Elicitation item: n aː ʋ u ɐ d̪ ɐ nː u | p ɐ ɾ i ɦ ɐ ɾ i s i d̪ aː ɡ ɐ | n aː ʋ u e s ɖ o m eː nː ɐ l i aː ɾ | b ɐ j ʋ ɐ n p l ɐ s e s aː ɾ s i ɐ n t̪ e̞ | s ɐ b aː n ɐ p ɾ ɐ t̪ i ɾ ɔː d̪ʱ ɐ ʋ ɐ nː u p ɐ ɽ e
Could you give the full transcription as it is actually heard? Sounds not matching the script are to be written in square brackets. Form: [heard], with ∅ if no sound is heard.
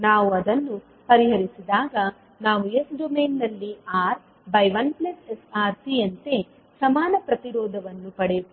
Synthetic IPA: n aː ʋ u ɐ d̪ ɐ nː u | p ɐ ɾ i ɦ ɐ ɾ i s i d̪ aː ɡ ɐ | n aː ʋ u e s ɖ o m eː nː ɐ [lː] i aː ɾ | b ɐ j ʋ ɐ n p l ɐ s e s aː ɾ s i ɐ n t̪ e̞ | s ɐ [m] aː n ɐ p ɾ ɐ t̪ i ɾ ɔː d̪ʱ ɐ ʋ ɐ nː u p ɐ ɽ e